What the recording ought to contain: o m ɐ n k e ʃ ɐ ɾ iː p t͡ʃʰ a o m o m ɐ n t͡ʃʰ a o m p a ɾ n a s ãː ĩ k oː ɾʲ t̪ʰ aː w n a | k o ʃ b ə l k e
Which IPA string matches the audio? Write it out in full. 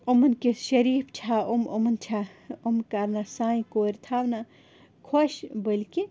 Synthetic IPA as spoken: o m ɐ n k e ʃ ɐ ɾ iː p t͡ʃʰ a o m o m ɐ n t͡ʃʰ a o m k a ɾ n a s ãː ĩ k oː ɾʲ t̪ʰ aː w n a | kʰ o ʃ b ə l k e